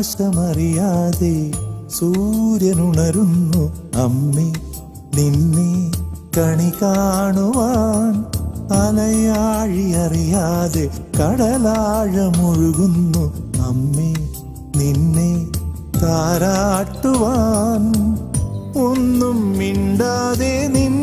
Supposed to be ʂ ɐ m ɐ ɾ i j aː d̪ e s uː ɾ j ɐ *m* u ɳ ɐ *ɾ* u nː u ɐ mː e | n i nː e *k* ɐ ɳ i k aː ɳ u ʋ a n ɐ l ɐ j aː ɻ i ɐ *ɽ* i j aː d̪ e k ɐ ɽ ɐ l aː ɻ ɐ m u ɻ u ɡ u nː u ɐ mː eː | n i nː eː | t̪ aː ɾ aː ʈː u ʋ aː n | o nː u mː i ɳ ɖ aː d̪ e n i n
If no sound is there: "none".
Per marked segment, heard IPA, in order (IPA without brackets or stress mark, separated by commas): n, ɾ, k, ɾ